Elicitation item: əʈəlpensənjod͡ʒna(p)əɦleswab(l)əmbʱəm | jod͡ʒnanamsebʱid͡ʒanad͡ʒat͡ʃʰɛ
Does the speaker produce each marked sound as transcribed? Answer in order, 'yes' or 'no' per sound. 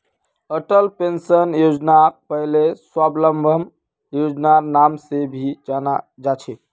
yes, yes

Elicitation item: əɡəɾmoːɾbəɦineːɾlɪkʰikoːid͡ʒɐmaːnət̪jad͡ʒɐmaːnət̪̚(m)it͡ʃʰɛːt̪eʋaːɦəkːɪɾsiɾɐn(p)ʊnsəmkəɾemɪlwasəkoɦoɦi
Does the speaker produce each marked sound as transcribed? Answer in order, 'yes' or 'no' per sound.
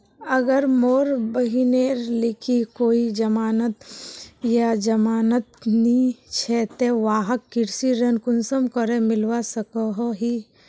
no, no

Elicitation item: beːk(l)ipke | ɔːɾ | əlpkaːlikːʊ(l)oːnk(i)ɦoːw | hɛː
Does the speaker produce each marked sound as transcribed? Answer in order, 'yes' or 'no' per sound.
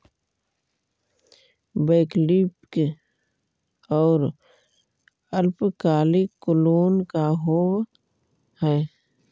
yes, yes, no

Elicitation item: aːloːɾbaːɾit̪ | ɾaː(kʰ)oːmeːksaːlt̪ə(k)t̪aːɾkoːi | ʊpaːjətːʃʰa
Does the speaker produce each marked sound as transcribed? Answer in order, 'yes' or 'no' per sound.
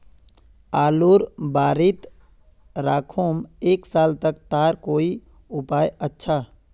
yes, yes

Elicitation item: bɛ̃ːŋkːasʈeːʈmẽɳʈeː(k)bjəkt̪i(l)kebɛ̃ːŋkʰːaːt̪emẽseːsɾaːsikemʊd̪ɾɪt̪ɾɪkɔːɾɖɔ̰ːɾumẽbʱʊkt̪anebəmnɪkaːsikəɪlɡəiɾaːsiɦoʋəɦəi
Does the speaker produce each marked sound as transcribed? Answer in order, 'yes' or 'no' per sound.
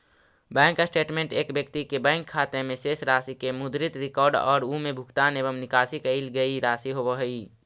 yes, no

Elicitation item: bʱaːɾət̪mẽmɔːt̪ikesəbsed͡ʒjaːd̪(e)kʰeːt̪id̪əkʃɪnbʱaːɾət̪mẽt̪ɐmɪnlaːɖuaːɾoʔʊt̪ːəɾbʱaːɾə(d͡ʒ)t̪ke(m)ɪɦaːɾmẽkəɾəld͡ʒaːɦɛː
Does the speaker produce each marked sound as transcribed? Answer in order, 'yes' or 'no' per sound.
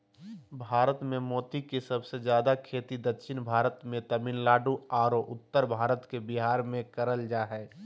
no, no, no

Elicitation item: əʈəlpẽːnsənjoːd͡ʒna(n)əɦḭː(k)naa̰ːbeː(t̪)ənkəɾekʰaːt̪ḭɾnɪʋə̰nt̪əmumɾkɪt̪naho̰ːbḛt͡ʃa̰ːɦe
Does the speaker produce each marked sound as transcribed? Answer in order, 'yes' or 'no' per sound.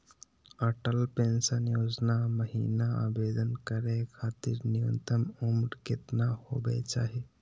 no, no, no

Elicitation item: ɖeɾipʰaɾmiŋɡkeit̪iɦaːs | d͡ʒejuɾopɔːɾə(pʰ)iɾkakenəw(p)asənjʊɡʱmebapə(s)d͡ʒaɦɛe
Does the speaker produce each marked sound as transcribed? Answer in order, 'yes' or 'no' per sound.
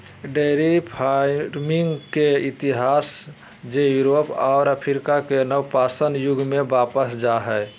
yes, yes, yes

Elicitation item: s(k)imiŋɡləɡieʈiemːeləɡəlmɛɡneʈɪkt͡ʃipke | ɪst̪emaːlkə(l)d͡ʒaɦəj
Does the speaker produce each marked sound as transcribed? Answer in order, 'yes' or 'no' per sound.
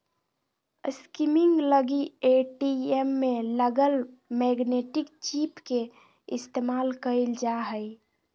yes, yes

